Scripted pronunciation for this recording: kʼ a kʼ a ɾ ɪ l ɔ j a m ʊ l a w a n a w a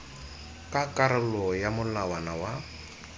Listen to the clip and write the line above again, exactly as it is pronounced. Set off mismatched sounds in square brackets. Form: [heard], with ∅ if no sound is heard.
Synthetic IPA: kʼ a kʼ a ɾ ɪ l ɔ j a m ʊ l a w a n a w a